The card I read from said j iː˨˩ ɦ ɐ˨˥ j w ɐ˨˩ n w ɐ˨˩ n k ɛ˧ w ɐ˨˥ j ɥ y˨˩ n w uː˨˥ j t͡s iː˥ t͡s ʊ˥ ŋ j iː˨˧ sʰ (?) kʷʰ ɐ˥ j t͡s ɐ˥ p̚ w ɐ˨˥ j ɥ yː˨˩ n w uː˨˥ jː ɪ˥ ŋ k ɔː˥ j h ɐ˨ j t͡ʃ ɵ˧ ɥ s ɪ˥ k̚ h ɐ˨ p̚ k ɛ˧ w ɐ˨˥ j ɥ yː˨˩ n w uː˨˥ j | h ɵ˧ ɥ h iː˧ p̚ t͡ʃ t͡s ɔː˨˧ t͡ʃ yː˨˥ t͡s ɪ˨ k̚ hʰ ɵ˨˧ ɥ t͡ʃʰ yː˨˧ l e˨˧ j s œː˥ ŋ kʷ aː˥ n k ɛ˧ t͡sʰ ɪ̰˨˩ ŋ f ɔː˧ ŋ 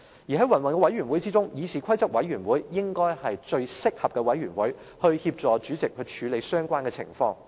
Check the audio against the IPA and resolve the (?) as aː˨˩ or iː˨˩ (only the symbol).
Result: iː˨˩